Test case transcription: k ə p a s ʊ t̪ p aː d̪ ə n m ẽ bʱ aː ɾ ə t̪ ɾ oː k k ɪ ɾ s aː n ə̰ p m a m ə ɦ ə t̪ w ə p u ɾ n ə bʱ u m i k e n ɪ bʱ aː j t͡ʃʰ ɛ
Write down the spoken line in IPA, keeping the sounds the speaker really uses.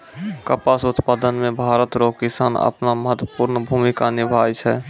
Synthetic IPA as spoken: k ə p a s ʊ t̪ p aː d̪ ə n m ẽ bʱ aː ɾ ə t̪ ɾ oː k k ɪ s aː n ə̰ p n a m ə ɦ ə t̪ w ə p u ɾ n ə bʱ u m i k a n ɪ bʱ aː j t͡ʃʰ ɛ